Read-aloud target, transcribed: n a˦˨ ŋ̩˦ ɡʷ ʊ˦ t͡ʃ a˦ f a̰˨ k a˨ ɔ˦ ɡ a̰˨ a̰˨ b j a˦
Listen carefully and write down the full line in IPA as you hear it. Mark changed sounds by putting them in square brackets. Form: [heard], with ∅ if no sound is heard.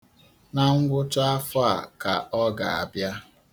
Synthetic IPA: n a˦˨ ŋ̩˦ ɡʷ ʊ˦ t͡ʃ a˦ f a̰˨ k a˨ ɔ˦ ɡ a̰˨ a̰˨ b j a˦